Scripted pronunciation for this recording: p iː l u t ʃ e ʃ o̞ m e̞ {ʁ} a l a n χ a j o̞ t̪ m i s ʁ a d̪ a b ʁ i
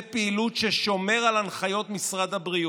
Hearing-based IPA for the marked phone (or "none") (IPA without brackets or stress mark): ʁ